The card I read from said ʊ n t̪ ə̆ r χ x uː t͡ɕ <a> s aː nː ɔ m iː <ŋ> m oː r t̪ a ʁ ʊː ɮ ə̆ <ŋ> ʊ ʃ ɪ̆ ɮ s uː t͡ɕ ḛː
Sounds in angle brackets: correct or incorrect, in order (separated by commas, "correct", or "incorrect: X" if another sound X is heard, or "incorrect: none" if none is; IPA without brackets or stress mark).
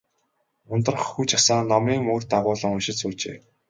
correct, correct, correct